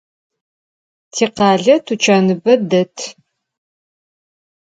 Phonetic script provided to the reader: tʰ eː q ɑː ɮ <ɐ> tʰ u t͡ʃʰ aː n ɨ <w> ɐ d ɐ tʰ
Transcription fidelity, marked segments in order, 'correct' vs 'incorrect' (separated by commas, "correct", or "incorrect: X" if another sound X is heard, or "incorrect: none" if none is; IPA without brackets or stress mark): correct, incorrect: b